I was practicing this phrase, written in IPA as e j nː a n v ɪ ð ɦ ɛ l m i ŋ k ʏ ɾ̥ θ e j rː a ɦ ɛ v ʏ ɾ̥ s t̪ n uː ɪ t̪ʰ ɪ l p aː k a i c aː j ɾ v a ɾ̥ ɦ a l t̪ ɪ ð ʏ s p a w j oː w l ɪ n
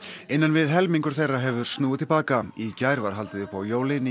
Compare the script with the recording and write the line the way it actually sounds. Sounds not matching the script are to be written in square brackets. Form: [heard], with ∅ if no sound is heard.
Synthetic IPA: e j nː a n v ɪ ð ɦ ɛ l m i ŋ k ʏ ɾ̥ θ e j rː a ɦ ɛ v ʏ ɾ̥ s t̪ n uː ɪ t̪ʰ ɪ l p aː k a i c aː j ɾ v a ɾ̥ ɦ a l t̪ ɪ ð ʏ [h] p a w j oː w l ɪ n